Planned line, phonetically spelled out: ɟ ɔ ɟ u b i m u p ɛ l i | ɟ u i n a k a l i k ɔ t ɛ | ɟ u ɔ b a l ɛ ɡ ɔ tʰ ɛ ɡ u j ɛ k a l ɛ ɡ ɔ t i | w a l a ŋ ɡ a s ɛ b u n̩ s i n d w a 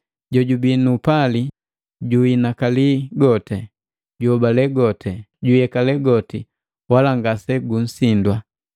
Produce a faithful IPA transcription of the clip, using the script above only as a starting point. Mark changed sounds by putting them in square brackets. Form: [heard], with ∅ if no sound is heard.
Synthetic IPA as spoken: ɟ ɔ ɟ u b i [n] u p [a] l i | ɟ u i n a k a l i [ɡ] ɔ t ɛ | ɟ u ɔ b a l ɛ ɡ ɔ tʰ ɛ [ɟ] u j ɛ k a l ɛ ɡ ɔ t i | w a l a ŋ ɡ a s ɛ [ɡ] u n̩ s i n d w a